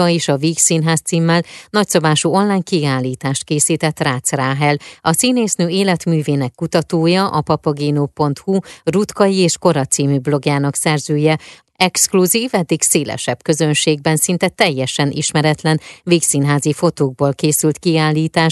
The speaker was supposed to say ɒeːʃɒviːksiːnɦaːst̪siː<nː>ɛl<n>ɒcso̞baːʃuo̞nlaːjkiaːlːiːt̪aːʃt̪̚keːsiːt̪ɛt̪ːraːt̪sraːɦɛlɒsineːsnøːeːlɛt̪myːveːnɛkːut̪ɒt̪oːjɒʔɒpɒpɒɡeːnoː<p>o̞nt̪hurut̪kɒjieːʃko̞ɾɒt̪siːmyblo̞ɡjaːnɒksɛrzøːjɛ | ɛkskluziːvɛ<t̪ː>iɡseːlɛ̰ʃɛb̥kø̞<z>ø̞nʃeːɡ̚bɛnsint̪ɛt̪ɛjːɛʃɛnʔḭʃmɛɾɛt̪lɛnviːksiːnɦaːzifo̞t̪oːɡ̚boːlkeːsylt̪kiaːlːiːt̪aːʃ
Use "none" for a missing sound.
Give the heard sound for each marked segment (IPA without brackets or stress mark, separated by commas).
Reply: mː, n, p, d̪ː, z